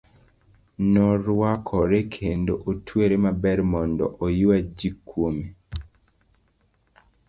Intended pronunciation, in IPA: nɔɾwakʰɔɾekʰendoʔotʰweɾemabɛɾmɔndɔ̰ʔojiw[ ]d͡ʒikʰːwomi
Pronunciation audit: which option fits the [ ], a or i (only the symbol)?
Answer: a